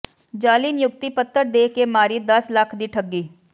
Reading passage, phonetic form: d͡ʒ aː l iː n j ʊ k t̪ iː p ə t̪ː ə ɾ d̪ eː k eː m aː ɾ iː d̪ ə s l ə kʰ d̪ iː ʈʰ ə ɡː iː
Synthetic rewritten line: d͡ʒ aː l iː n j ʊ k t̪ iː p ə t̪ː ə ɾ d̪ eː k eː m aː ɾ iː d̪ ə s l ə kʰ d̪ iː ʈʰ ə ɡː iː